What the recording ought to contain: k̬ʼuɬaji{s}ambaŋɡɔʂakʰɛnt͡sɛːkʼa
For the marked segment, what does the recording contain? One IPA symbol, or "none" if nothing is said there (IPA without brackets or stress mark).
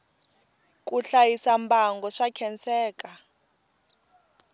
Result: s